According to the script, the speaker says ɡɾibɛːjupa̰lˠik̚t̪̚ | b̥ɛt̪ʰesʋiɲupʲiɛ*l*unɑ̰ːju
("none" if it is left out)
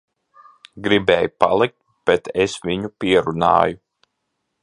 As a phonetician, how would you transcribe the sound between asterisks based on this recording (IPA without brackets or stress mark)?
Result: ɾ